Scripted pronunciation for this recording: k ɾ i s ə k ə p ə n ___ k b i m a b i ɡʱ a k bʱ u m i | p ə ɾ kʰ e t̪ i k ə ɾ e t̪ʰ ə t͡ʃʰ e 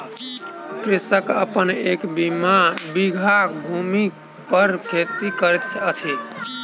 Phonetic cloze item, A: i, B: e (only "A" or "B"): B